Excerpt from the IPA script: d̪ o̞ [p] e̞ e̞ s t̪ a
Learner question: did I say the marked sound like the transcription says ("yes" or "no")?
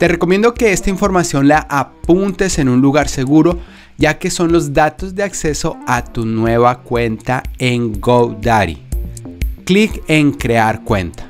no